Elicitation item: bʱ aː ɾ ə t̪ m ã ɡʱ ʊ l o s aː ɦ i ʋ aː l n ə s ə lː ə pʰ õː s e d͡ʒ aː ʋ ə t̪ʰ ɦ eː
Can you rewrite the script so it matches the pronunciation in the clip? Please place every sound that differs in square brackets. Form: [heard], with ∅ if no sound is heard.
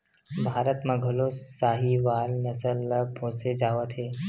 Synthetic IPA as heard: bʱ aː ɾ ə t̪ m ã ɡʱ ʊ l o s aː ɦ i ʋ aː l n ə s ə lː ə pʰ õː s e d͡ʒ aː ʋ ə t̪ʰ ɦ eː